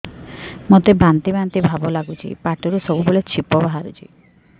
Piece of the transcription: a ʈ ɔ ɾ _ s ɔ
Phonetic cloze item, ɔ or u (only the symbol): u